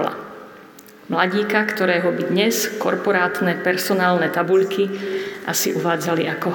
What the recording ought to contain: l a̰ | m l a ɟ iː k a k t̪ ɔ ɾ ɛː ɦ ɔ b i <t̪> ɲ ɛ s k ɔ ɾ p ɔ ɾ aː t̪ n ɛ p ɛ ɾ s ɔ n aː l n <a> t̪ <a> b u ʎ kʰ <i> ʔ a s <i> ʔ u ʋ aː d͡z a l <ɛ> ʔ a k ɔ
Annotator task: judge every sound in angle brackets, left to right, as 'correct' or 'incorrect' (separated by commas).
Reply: incorrect, incorrect, correct, correct, correct, incorrect